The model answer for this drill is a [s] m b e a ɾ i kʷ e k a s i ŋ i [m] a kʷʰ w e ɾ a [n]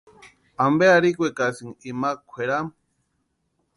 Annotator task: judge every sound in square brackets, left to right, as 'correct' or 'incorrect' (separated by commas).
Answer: incorrect, correct, incorrect